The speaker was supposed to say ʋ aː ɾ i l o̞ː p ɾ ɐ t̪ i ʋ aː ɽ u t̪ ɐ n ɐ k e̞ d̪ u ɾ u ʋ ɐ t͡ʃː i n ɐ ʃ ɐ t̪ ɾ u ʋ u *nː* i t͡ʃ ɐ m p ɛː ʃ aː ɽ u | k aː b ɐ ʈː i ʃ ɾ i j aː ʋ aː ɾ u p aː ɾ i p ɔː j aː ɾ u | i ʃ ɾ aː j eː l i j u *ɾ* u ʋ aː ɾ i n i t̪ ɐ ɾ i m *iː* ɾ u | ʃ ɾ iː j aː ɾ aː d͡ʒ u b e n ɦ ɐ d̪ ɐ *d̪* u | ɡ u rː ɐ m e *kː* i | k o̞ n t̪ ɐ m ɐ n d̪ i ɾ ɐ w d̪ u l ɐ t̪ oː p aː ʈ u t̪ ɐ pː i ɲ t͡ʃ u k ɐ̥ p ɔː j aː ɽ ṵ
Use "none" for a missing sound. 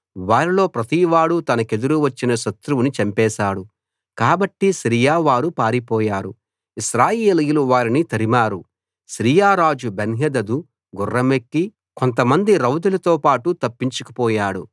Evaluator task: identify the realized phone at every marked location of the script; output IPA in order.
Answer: n, l, aː, d̪, kː

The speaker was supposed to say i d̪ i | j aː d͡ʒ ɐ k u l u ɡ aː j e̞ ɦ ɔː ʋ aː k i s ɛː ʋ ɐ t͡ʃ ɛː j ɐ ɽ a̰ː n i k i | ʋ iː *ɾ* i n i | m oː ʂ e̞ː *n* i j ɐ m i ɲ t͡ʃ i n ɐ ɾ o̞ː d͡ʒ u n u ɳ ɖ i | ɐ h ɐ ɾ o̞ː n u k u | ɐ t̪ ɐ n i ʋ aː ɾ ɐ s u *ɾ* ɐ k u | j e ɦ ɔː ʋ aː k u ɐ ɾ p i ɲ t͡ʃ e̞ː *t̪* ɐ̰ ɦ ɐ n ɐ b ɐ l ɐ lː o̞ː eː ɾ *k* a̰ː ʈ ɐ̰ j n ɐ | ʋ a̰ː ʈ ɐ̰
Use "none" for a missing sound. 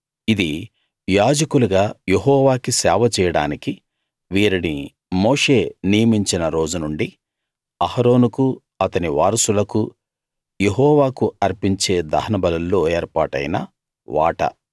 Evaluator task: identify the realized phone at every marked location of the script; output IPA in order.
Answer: ɾ, n, l, d̪, p

